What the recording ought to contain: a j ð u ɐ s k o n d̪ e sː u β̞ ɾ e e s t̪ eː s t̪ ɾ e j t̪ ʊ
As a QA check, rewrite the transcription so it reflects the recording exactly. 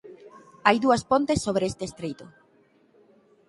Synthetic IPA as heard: a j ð u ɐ s p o n t̪ e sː o β̞ ɾ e e s t̪ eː s t̪ ɾ e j t̪ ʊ